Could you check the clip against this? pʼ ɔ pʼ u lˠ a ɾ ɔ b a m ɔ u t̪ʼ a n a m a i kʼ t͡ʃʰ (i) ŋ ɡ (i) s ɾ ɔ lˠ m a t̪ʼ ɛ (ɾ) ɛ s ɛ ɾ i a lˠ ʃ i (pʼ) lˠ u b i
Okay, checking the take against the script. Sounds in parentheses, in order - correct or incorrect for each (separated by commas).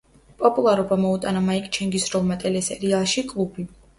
incorrect, correct, incorrect, incorrect